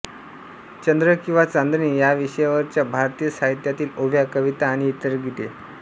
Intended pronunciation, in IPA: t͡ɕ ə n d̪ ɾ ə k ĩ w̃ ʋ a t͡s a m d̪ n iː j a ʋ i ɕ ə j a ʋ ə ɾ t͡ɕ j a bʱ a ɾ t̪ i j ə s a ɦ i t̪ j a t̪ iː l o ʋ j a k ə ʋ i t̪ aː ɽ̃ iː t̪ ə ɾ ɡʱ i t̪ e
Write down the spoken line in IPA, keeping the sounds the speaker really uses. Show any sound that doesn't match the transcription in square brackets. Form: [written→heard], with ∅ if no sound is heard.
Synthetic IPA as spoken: t͡ɕ ə n d̪ ɾ ə k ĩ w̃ ʋ a t͡s a [m→n] d̪ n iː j a ʋ i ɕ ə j a ʋ ə ɾ t͡ɕ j a bʱ a ɾ t̪ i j ə s a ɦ i t̪ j a t̪ iː l o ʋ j a k ə ʋ i t̪ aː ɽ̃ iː t̪ ə ɾ ɡʱ i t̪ e